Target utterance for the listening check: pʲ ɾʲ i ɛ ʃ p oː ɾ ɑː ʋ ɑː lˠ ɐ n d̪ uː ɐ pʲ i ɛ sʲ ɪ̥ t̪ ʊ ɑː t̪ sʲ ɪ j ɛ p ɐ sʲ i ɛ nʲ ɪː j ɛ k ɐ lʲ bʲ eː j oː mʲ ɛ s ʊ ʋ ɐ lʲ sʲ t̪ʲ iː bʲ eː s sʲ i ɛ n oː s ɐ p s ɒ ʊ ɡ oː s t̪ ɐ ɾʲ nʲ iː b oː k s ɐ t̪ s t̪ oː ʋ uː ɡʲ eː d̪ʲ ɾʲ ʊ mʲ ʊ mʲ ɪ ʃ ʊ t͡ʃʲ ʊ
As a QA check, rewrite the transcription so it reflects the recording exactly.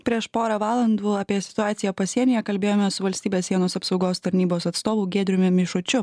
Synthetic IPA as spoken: pʲ ɾʲ i ɛ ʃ p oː ɾ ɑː ʋ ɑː lˠ ɐ n d̪ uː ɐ pʲ i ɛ sʲ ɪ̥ t̪ ʊ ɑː t̪ sʲ ɪ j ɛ p ɐ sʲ i ɛ nʲ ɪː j ɛ k ɐ lʲ bʲ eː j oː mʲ ɛ s ʊ ʋ ɐ lʲ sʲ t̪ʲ iː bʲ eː s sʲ i ɛ n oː s ɐ p s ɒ ʊ ɡ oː s t̪ ɐ ɾʲ nʲ iː b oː s ɐ t̪ s t̪ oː ʋ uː ɡʲ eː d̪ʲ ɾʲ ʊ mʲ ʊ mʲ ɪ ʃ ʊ t͡ʃʲ ʊ